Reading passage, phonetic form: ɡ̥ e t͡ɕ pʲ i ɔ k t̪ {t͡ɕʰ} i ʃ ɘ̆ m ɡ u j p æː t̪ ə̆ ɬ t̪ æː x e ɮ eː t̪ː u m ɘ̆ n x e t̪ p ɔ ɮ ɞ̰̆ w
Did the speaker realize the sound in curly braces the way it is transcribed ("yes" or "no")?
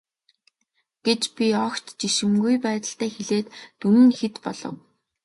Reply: no